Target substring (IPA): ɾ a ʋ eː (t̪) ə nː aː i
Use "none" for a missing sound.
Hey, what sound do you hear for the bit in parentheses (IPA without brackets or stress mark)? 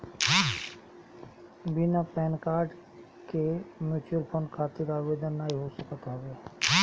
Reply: d̪